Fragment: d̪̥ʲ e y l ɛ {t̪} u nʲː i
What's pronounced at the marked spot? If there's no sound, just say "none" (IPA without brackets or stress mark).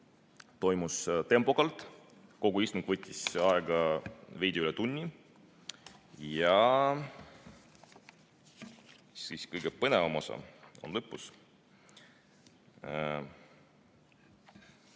t̪